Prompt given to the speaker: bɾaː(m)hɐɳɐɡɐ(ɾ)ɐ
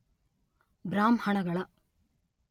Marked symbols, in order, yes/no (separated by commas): yes, no